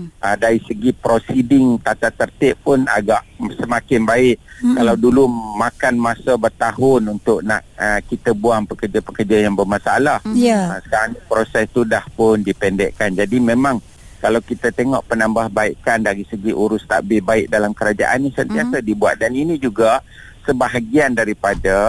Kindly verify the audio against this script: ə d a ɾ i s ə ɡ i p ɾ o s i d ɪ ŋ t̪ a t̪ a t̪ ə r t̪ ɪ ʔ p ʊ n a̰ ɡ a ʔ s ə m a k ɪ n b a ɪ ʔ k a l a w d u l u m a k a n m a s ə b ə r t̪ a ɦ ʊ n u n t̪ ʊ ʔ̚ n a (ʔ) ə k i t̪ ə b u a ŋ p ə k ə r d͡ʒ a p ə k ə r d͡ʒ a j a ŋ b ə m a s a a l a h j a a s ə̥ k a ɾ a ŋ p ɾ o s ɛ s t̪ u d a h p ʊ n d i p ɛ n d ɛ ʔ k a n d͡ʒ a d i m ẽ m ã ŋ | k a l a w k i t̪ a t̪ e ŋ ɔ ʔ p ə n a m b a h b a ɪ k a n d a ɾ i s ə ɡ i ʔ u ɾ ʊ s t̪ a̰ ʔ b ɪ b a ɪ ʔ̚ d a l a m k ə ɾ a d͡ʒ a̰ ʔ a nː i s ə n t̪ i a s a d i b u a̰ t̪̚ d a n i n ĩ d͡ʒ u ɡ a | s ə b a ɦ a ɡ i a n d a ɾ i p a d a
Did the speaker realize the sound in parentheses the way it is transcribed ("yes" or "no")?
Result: yes